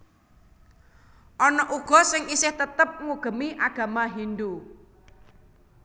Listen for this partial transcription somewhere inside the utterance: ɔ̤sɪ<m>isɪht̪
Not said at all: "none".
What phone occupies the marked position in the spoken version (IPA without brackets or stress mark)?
ŋ